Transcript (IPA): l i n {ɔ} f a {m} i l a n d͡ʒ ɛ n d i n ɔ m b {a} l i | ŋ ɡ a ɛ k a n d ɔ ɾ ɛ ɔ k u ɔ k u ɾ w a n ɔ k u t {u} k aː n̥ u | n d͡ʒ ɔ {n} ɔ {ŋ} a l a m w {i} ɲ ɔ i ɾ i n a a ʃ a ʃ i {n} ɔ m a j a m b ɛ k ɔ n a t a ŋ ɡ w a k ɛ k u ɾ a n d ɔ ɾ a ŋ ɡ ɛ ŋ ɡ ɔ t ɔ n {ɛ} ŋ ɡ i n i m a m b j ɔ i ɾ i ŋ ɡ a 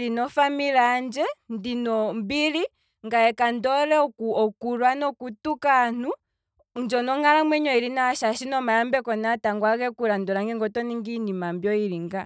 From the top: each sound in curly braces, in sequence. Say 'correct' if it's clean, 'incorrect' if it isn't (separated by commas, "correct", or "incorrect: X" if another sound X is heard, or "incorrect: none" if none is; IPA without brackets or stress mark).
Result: correct, correct, incorrect: i, correct, correct, correct, incorrect: ɛ, correct, incorrect: i